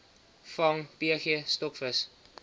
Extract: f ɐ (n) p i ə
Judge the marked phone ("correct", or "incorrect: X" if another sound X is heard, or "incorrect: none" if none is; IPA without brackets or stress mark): incorrect: ŋ